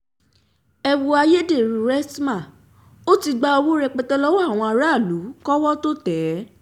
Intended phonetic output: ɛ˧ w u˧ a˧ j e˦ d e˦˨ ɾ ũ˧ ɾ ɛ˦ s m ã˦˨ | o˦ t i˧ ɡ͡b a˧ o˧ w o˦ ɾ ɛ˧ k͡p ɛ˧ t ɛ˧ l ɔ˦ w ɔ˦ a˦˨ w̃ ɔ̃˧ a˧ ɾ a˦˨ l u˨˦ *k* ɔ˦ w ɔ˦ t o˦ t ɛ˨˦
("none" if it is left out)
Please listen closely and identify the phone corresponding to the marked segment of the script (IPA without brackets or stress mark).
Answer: k